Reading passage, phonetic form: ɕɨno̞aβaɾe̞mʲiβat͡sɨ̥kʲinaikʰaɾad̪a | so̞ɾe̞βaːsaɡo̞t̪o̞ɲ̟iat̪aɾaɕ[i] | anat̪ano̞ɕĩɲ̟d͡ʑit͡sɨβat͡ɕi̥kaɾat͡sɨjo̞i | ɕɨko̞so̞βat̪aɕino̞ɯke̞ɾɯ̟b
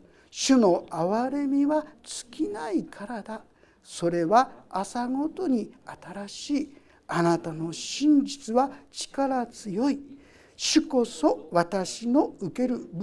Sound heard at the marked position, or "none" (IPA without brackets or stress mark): iː